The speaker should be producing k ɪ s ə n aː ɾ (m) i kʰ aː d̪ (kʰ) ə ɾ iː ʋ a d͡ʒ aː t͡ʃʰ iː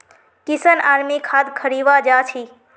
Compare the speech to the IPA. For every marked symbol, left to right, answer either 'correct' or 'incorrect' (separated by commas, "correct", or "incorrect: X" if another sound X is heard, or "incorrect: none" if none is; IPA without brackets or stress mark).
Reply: correct, correct